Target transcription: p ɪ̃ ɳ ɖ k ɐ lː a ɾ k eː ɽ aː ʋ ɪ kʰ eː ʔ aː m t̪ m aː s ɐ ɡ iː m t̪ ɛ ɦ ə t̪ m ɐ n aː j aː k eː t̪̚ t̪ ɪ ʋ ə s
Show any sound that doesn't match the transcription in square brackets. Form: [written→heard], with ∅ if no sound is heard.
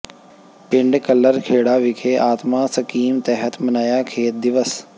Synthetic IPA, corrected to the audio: p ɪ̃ ɳ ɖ k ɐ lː [a→ə] ɾ [k→kʰ] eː ɽ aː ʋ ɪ kʰ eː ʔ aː [m→∅] t̪ m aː s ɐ [ɡ→k] iː m t̪ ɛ ɦ ə t̪ m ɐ n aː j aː [k→kʰ] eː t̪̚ [t̪→d̪] ɪ ʋ ə s